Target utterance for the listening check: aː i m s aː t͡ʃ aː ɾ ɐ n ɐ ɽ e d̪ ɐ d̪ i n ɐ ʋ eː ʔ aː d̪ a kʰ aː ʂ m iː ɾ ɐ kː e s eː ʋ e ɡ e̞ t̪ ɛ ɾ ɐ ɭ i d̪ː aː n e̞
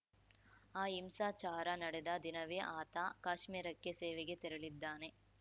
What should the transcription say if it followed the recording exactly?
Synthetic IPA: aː i m s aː t͡ʃ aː ɾ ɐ n ɐ ɽ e d̪ ɐ d̪ i n ɐ ʋ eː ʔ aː t̪ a k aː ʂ m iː ɾ ɐ kː e s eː ʋ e ɡ e̞ t̪ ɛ ɾ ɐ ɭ i d̪ː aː n e̞